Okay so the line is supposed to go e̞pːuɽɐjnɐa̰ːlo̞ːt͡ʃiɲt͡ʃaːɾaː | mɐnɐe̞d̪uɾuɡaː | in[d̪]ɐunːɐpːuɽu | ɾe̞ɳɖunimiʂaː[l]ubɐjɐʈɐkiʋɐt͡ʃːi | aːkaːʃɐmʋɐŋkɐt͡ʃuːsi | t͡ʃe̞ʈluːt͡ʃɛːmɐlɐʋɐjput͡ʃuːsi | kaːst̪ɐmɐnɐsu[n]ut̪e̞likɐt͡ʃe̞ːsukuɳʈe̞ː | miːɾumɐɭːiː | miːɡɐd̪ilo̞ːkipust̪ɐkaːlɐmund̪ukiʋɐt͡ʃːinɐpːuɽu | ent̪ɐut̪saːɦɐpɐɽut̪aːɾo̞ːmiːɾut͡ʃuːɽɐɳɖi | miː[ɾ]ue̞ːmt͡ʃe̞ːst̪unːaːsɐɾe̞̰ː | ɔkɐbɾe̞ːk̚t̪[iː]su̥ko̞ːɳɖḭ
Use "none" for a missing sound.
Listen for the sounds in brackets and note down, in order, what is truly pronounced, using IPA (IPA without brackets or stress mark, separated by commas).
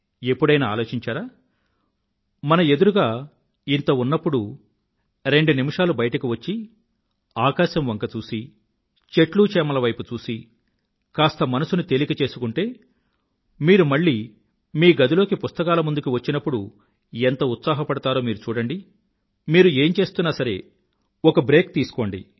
t̪, l, n, ɾ, iː